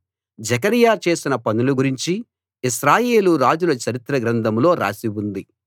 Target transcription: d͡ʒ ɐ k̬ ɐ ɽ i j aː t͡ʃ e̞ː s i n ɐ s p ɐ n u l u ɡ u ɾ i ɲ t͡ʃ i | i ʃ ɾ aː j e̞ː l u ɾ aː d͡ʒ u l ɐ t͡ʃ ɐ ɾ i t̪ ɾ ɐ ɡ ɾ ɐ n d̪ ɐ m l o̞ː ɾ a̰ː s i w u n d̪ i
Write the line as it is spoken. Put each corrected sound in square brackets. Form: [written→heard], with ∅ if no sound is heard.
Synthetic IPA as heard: d͡ʒ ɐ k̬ ɐ [ɽ→ɾ] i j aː t͡ʃ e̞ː s i n ɐ [s→∅] p ɐ n u l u ɡ u ɾ i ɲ t͡ʃ i | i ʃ ɾ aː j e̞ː l u ɾ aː d͡ʒ u l ɐ t͡ʃ ɐ ɾ i t̪ ɾ ɐ ɡ ɾ ɐ n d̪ ɐ m l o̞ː ɾ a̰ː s i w u n d̪ i